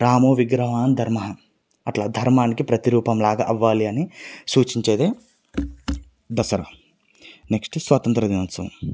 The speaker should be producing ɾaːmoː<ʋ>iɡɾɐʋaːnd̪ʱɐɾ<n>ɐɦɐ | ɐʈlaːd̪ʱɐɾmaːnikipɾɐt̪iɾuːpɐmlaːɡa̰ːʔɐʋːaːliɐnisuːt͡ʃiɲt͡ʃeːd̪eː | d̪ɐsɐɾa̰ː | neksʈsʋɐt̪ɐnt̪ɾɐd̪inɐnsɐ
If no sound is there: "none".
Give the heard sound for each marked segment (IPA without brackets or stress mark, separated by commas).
ʋ, m